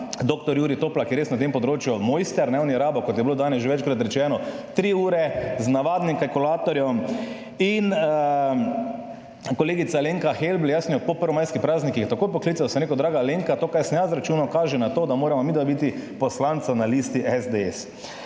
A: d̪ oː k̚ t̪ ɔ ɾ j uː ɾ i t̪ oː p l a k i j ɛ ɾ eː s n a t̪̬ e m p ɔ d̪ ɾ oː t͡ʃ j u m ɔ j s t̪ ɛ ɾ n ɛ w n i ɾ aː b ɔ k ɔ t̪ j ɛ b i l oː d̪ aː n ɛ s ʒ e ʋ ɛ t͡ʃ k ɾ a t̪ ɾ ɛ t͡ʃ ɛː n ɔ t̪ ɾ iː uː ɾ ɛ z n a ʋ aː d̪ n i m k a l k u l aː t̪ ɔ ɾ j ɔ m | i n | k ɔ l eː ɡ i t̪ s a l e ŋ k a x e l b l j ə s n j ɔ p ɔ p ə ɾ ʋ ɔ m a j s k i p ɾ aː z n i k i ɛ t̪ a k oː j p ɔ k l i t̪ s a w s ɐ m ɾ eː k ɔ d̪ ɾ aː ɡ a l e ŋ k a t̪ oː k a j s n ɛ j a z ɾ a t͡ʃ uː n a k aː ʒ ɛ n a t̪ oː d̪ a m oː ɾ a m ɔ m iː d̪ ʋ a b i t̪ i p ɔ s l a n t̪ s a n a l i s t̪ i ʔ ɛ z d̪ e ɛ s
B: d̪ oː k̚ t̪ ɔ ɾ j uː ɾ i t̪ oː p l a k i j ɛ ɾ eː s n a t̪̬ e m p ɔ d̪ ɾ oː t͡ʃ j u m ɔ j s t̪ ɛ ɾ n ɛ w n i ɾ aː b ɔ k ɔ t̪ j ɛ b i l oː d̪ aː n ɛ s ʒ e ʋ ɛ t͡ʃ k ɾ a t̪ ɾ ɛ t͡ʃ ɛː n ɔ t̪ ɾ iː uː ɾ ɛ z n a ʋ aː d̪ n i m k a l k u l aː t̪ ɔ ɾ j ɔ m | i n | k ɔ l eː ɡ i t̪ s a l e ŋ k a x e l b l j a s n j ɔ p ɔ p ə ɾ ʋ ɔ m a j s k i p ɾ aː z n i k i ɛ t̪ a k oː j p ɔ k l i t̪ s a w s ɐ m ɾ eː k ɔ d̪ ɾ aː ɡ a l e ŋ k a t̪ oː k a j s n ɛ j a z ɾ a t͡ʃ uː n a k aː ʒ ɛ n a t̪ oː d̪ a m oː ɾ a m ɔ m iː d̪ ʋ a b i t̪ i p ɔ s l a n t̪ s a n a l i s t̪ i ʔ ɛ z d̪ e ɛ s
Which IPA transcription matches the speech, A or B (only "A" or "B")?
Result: B